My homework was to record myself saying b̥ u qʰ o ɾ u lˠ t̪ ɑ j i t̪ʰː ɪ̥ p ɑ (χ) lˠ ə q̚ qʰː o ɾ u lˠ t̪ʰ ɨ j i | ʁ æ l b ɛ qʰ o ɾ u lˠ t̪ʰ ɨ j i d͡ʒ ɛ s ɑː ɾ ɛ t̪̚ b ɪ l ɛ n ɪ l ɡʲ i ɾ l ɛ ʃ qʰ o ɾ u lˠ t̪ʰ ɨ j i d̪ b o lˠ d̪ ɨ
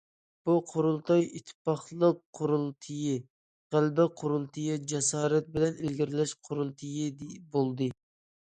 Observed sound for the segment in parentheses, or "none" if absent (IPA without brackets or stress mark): χ